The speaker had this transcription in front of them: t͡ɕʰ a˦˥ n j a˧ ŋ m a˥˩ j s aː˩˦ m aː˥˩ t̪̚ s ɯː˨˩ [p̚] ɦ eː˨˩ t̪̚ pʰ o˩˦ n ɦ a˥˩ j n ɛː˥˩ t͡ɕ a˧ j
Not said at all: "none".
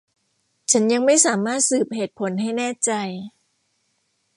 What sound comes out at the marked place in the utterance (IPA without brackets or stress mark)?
p̚